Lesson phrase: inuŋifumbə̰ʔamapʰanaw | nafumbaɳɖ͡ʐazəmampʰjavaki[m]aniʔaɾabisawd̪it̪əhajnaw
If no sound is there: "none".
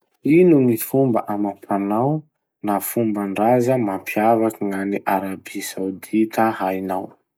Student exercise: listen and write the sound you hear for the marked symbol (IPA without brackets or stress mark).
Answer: ŋ